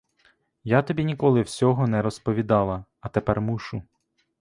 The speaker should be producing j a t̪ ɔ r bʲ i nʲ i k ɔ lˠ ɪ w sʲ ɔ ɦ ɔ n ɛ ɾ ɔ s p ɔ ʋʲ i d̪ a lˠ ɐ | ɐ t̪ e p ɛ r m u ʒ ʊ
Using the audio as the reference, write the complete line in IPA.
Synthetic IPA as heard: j a t̪ ɔ bʲ i nʲ i k ɔ lˠ ɪ w sʲ ɔ ɦ ɔ n ɛ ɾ ɔ s p ɔ ʋʲ i d̪ ɑ lˠ ɐ | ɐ t̪ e p ɛ r m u ʃ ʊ